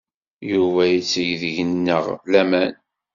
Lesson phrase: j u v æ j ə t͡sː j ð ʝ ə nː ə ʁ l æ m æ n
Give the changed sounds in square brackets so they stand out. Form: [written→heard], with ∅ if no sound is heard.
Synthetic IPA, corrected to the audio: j u v æ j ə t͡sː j ð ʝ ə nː ə ʁ l æ m æ n